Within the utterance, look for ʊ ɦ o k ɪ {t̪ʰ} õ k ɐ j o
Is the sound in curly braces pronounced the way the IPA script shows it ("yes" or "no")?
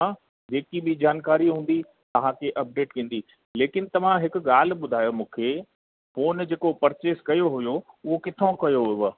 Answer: yes